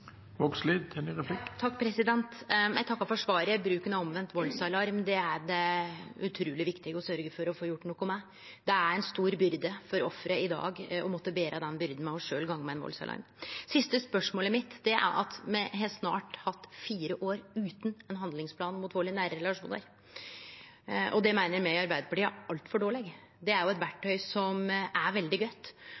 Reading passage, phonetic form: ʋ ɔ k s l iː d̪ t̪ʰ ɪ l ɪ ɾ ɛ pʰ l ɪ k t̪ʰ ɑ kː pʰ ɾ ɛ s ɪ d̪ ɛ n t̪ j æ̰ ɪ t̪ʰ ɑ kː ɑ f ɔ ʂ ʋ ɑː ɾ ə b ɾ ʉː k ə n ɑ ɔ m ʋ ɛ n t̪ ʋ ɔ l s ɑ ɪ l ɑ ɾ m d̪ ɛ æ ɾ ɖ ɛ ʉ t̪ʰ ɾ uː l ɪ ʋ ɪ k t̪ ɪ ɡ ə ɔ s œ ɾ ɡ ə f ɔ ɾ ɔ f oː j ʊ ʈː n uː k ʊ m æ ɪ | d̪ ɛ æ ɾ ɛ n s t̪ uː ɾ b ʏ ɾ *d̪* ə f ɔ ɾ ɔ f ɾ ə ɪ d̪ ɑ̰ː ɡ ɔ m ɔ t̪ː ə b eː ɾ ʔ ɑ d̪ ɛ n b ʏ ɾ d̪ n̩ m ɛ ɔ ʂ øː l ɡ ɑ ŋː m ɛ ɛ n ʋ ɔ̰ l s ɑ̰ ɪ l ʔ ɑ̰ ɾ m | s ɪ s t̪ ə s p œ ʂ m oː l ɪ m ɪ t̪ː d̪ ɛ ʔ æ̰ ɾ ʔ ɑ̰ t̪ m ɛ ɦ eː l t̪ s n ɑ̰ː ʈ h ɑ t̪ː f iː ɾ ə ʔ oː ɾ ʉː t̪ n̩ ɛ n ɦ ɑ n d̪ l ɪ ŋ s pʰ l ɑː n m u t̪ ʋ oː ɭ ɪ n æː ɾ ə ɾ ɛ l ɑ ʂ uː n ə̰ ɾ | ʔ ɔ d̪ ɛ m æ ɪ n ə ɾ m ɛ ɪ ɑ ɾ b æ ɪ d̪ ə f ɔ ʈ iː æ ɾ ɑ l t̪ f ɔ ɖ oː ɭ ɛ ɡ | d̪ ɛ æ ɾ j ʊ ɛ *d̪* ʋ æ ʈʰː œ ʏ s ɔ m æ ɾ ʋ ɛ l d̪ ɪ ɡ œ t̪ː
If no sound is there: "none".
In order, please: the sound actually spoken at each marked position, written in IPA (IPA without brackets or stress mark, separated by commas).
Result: d̪, t̪